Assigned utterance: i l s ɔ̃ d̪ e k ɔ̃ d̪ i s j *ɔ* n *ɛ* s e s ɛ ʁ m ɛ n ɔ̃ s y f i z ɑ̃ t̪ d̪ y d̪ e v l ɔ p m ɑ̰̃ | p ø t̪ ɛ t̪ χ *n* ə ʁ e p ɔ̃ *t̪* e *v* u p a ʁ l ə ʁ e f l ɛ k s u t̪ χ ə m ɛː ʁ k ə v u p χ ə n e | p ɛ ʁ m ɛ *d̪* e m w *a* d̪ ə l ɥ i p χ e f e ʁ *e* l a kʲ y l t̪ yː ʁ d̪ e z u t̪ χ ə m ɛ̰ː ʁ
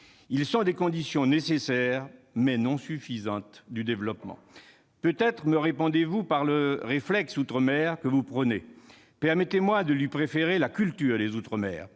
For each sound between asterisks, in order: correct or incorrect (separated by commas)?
incorrect, incorrect, incorrect, incorrect, correct, incorrect, correct, correct